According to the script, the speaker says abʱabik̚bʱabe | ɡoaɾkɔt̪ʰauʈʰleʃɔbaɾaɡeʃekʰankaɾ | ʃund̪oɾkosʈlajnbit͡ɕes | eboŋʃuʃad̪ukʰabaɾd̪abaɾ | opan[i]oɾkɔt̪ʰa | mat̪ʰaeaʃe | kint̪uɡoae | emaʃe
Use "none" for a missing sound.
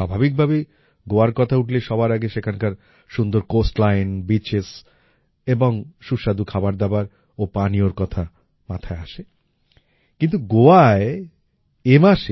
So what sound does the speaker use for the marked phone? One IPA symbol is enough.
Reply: i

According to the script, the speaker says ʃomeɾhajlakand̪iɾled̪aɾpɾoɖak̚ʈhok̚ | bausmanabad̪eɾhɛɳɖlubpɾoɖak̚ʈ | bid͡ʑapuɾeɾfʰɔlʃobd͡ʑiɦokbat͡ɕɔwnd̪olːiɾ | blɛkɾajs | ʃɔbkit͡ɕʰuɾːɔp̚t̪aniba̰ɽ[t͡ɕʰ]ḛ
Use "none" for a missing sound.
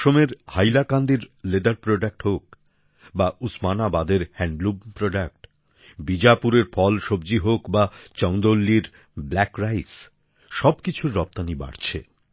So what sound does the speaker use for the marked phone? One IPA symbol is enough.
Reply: t͡ɕʰ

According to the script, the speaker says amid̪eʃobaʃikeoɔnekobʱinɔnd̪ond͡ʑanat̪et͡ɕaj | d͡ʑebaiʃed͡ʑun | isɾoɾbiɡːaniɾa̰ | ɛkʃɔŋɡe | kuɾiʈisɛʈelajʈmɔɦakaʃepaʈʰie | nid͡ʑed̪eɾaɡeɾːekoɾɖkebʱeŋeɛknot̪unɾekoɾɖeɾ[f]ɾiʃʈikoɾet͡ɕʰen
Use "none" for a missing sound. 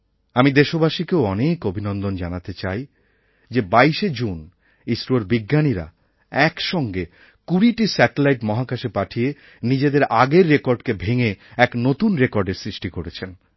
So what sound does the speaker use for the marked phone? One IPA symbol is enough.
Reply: s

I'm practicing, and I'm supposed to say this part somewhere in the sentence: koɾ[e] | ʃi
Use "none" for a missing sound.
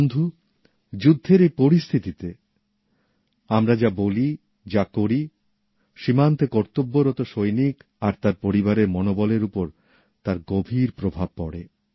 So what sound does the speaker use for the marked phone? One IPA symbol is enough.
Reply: i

